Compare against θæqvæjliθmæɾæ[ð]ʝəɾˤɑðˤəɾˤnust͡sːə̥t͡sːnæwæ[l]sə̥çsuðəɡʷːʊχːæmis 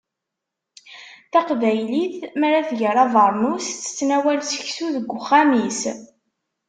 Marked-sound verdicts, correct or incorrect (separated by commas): incorrect, correct